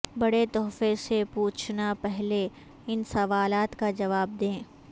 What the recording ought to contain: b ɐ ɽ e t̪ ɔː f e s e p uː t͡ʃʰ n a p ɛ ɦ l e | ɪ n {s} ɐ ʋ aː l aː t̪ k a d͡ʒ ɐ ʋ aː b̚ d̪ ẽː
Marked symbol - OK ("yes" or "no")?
yes